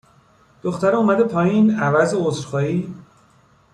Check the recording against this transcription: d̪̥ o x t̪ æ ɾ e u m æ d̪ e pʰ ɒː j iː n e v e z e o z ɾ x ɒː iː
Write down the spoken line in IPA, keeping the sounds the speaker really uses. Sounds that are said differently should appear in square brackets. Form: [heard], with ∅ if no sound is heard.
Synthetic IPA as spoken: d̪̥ o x t̪ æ ɾ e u m æ d̪ e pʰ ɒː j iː n [æ] v [æ] z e o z ɾ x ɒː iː